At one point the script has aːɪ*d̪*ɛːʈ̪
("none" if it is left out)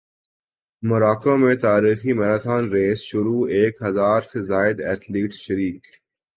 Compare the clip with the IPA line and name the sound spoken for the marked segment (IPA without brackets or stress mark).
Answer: d̪